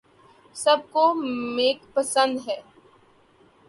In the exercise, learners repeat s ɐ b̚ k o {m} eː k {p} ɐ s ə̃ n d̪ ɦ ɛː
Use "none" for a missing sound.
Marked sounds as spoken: m, p

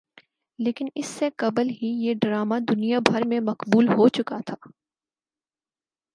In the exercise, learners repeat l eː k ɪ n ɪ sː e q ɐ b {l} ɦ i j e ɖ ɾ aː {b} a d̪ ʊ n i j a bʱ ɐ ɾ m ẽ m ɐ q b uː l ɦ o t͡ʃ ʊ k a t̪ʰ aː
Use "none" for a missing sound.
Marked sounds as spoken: l, m

